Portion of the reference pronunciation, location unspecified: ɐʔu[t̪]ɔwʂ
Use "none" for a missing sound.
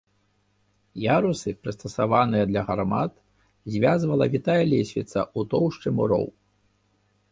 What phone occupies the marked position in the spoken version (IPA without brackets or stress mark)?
t̪